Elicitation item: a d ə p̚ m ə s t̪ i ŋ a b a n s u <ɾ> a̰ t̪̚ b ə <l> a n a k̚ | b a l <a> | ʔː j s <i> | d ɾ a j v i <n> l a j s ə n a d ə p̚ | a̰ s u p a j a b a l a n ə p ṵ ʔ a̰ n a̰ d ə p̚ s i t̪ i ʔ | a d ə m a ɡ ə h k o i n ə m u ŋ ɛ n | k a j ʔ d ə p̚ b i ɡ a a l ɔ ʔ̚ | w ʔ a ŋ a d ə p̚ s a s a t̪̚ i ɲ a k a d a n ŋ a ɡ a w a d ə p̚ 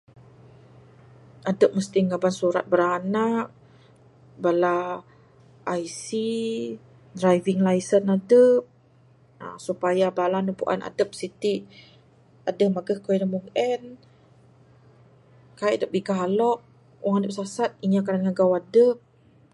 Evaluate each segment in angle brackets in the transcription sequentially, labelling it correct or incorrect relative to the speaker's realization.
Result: correct, incorrect: ɾ, correct, correct, incorrect: ŋ

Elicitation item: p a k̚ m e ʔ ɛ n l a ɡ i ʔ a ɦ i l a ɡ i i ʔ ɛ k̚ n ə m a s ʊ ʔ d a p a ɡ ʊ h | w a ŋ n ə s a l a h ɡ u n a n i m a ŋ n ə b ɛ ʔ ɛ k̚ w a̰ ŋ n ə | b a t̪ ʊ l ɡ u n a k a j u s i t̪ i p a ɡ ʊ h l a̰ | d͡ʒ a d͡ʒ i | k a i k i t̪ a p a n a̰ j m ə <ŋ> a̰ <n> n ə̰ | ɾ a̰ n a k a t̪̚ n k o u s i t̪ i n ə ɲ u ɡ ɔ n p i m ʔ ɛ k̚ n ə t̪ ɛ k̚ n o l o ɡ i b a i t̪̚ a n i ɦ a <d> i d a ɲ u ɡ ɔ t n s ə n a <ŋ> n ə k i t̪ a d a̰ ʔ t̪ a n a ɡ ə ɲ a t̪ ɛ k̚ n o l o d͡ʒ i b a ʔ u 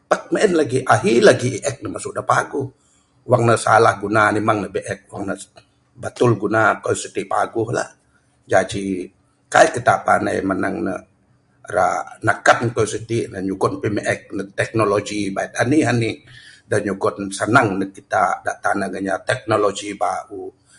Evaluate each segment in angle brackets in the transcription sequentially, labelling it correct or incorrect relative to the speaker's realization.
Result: incorrect: n, incorrect: ŋ, incorrect: n, correct

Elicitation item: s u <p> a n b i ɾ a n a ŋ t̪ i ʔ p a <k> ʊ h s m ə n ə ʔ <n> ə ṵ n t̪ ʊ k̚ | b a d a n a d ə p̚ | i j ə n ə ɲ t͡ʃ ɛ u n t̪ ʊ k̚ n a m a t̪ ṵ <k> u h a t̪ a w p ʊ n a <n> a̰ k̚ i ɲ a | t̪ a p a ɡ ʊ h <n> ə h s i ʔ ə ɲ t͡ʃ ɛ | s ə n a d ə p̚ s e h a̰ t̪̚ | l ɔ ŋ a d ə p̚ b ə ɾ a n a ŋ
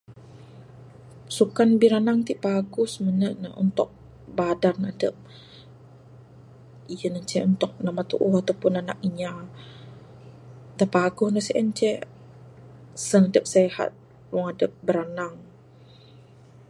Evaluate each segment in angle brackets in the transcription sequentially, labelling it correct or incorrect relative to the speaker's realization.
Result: incorrect: k, incorrect: ɡ, correct, incorrect: ʔ, correct, correct

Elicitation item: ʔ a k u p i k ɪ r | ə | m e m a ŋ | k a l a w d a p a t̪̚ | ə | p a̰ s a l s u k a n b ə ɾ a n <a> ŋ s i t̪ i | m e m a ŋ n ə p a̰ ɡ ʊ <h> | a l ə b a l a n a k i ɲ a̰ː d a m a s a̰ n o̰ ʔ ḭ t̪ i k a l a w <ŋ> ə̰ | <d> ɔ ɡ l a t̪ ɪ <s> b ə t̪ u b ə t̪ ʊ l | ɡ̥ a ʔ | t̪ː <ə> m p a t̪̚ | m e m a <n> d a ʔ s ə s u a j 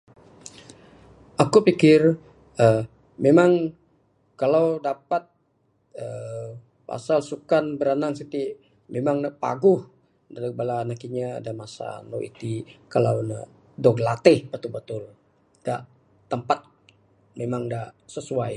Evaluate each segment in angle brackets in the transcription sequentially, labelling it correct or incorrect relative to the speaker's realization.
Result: correct, correct, incorrect: n, correct, incorrect: h, correct, incorrect: ŋ

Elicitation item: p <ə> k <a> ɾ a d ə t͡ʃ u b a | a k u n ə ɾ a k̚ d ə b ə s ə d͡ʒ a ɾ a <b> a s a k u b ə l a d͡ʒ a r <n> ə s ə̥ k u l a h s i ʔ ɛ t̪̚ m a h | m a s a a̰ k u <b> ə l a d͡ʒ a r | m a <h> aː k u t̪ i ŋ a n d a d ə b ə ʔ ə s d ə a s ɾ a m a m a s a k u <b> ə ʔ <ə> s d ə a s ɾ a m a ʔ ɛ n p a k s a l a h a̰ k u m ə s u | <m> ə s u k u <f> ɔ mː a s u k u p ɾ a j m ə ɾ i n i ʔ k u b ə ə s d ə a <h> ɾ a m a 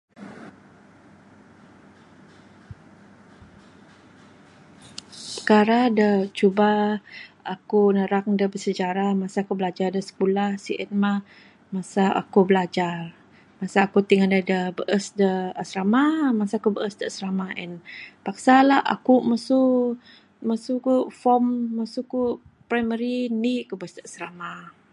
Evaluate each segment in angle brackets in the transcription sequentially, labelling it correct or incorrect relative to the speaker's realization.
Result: correct, correct, incorrect: m, incorrect: d, correct, incorrect: s, correct, correct, correct, correct, incorrect: s

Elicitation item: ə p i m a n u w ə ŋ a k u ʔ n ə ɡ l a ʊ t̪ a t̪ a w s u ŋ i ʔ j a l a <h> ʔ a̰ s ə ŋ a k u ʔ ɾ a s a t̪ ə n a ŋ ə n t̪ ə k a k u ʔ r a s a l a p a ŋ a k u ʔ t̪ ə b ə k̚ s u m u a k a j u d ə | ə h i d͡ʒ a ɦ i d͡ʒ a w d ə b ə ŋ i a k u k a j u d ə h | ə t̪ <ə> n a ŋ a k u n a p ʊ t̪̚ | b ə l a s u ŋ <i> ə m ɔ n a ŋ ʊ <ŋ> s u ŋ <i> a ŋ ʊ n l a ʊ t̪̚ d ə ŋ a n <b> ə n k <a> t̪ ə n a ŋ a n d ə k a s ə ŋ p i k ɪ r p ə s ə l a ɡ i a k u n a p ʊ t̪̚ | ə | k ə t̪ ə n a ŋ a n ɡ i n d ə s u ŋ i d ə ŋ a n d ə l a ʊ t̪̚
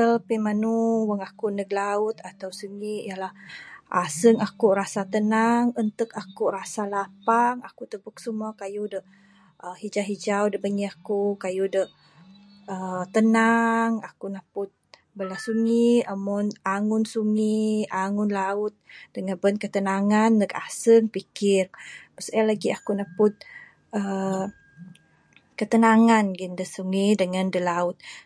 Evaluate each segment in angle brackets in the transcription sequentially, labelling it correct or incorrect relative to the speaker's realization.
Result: correct, correct, correct, incorrect: n, correct, correct, incorrect: ə

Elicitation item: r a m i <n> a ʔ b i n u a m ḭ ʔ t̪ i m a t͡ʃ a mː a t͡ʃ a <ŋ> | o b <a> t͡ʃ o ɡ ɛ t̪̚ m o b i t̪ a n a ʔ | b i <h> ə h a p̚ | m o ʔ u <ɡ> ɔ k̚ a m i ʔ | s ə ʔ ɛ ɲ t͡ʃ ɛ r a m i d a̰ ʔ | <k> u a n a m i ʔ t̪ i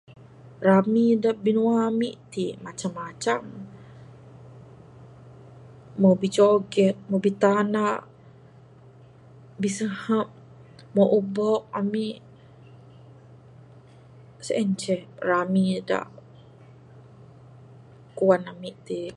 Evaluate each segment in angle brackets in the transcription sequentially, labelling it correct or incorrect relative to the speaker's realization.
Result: incorrect: d, incorrect: m, incorrect: i, incorrect: s, incorrect: b, correct

